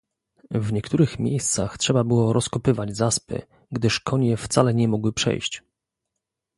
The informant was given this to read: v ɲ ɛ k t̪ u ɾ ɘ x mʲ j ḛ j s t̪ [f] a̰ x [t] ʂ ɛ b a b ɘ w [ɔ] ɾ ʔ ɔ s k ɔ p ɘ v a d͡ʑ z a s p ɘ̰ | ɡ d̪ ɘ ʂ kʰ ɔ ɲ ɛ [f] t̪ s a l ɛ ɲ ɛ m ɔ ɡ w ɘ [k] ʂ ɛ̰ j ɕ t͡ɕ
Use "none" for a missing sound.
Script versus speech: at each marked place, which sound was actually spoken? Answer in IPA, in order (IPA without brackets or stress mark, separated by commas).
s, t, ɔ, f, p